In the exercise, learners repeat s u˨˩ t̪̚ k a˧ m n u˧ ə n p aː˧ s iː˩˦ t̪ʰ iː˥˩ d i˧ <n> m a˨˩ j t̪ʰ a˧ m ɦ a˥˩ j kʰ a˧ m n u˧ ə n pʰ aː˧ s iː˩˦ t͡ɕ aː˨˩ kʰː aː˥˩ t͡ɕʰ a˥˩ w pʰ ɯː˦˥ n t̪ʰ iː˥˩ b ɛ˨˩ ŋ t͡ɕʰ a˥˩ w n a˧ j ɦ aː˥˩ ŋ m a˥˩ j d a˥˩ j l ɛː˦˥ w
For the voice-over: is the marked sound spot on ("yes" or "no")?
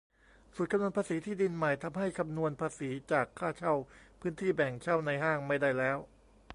yes